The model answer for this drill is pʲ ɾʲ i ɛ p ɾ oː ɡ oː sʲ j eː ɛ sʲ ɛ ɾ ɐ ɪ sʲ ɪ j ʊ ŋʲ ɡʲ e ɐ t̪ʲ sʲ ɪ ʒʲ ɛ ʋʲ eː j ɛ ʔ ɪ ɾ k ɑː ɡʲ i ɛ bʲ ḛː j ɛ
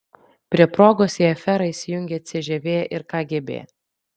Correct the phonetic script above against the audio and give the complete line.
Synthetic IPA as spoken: pʲ ɾʲ i ɛ p ɾ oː ɡ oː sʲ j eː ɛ fʲ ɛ ɾ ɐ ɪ sʲ ɪ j ʊ ŋʲ ɡʲ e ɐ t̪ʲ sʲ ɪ ʒʲ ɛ ʋʲ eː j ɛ ʔ ɪ ɾ k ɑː ɡʲ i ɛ bʲ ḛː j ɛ